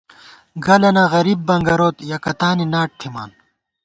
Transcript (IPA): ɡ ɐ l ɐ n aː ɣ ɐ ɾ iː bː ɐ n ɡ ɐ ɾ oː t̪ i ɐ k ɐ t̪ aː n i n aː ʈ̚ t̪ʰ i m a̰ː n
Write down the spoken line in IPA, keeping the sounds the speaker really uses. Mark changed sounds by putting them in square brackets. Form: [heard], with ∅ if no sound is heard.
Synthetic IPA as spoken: ɡ ɐ l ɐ n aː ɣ ɐ ɾ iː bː ɐ [ŋ] ɡ ɐ ɾ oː t̪ [j] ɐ k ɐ t̪ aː n i n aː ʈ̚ t̪ʰ i m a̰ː n